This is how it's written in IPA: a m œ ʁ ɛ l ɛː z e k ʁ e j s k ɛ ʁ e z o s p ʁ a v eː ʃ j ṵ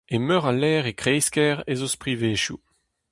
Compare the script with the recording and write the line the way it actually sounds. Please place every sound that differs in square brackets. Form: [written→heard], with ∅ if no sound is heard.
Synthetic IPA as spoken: [a→e] m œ ʁ [ɛ→a] l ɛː [z→ʁ] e k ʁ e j s k ɛ ʁ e z o s p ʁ [a→i] v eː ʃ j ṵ